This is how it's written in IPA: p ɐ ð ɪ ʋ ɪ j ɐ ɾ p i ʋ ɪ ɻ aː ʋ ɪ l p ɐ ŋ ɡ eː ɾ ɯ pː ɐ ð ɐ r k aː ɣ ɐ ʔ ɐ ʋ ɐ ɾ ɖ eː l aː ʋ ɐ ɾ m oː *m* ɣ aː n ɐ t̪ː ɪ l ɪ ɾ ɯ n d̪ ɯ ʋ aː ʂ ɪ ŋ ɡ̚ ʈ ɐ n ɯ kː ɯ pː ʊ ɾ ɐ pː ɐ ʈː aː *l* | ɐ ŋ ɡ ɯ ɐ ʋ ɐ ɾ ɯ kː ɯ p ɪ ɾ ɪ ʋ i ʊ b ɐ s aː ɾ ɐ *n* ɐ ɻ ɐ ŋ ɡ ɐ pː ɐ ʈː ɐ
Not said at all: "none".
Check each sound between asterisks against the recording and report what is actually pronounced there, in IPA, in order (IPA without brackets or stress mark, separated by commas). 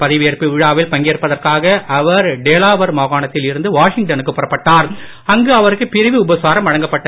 none, ɾ, m